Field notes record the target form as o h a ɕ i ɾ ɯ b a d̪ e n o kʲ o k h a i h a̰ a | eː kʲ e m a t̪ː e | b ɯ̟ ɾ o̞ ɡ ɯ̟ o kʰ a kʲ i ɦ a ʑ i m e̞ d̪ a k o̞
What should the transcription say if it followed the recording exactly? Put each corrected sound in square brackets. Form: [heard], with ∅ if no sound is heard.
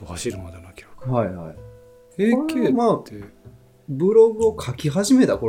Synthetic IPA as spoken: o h a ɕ i ɾ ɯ [m] a d̪ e n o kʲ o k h a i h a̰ [i] | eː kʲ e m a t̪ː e | b ɯ̟ ɾ o̞ ɡ ɯ̟ o kʰ a kʲ i ɦ a ʑ i m e̞ [t̪] a k o̞